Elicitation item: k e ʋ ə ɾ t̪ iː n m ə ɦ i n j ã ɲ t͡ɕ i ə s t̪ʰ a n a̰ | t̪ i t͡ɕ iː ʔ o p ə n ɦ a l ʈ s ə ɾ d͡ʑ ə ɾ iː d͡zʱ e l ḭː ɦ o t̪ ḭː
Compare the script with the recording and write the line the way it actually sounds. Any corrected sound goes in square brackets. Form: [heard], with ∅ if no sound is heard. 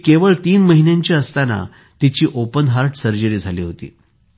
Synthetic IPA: k e ʋ ə [ɭ] t̪ iː n m ə ɦ i n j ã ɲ t͡ɕ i ə s [t̪] a n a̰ | t̪ i t͡ɕ iː ʔ o p ə n ɦ a [ɾ] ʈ s ə ɾ d͡ʑ ə ɾ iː d͡zʱ [a] l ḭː ɦ o t̪ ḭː